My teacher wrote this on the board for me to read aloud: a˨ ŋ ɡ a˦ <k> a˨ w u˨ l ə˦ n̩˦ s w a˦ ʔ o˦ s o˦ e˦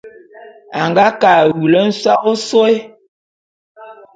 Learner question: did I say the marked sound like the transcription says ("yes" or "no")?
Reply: yes